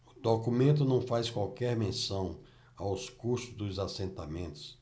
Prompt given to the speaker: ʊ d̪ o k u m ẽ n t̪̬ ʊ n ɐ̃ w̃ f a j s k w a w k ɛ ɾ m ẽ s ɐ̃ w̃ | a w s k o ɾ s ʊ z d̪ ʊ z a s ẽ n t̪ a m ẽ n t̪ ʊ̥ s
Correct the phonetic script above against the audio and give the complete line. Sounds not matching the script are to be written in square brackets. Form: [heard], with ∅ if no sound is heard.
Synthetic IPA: ʊ d̪ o k u m ẽ n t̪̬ ʊ n ɐ̃ w̃ f a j s k w a w k ɛ ɾ m ẽ s ɐ̃ w̃ | a w s k [u] ɾ s ʊ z d̪ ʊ z a s ẽ n t̪ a m ẽ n t̪ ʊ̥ s